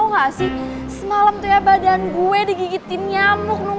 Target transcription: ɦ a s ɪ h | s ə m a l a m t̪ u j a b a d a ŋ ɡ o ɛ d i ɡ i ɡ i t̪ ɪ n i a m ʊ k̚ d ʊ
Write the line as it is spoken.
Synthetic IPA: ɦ a s ɪ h | s ə m a l a m t̪ u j a b a d a n ɡ u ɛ d i ɡ i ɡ i t̪ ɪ n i a m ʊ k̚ n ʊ